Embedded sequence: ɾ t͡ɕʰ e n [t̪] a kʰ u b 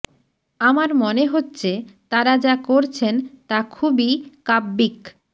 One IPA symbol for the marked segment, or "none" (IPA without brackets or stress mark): t̪